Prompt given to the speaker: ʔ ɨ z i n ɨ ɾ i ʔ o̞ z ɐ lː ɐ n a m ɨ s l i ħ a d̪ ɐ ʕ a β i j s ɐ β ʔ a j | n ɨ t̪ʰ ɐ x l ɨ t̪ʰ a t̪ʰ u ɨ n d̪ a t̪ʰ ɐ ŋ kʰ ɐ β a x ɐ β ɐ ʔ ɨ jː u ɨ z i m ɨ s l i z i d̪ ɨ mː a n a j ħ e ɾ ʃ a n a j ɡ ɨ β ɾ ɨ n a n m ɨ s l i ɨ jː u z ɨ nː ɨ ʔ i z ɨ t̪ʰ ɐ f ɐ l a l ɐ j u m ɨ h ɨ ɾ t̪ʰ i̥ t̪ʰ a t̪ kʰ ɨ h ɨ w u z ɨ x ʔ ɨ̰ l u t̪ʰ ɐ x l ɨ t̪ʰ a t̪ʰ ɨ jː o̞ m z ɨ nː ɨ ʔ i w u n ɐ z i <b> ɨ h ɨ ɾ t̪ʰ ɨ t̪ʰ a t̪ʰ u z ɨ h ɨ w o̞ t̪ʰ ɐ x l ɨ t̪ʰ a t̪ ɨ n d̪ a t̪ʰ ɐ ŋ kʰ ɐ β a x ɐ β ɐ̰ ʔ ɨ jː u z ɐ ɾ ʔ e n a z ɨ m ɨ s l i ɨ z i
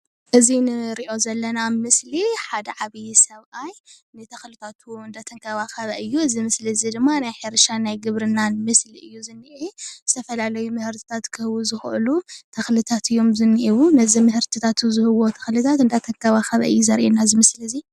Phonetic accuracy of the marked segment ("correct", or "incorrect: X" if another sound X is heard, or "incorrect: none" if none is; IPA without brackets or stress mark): incorrect: m